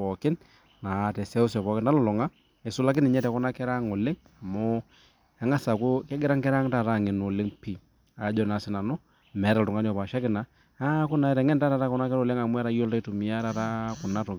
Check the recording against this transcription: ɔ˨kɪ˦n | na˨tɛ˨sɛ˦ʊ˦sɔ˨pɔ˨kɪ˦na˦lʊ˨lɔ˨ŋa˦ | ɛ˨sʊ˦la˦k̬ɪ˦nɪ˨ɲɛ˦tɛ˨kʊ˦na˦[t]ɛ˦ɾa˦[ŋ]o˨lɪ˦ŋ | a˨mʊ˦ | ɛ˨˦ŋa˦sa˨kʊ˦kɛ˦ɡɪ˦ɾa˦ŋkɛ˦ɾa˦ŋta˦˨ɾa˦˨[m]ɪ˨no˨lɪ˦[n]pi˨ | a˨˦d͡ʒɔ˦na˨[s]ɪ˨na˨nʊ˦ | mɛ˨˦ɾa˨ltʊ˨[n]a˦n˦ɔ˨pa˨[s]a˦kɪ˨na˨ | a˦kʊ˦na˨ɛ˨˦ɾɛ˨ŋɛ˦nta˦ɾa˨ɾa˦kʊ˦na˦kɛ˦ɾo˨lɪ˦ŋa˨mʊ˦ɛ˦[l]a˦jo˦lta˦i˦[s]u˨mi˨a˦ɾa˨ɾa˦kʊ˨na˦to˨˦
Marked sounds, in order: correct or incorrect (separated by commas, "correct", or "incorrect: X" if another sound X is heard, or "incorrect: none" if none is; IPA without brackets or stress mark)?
incorrect: k, correct, incorrect: ŋ, incorrect: ŋ, correct, incorrect: ŋ, incorrect: ʃ, incorrect: ɾ, incorrect: t